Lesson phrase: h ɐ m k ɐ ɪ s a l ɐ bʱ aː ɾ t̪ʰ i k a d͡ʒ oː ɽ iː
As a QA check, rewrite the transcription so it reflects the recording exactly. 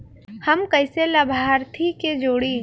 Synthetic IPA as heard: h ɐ m k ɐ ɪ s e l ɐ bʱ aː ɾ t̪ʰ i k e d͡ʒ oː ɽ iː